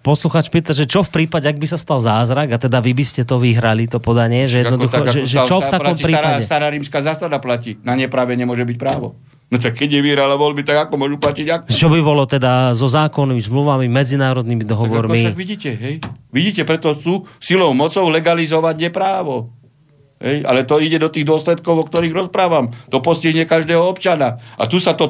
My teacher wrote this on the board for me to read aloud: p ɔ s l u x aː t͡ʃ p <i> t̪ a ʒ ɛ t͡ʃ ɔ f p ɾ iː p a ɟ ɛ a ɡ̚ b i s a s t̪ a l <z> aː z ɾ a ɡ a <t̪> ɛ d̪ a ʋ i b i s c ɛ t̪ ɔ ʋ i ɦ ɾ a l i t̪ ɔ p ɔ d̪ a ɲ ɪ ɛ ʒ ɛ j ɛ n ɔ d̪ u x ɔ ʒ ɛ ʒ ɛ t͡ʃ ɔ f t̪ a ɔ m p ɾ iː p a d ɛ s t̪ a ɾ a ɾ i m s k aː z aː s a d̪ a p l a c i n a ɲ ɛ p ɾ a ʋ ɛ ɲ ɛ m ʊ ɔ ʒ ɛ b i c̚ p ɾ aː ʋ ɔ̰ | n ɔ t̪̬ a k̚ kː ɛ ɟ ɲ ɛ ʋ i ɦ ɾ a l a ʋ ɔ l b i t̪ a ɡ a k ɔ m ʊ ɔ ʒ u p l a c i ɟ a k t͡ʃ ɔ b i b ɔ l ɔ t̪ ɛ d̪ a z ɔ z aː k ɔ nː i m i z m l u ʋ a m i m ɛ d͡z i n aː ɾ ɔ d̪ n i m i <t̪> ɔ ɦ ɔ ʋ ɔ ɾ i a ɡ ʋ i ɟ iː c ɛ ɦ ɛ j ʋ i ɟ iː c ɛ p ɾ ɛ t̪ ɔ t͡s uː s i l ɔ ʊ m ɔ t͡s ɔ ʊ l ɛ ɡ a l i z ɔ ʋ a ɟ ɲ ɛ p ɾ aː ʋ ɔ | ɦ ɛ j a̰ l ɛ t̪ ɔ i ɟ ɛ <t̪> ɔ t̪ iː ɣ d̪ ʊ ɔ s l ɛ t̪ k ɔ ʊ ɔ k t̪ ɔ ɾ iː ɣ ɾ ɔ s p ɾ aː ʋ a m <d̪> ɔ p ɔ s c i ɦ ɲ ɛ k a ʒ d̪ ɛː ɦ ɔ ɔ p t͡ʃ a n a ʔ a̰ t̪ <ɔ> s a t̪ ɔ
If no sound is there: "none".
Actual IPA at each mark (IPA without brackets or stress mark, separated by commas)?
iː, z, t̪, d̪, d̪, t̪, u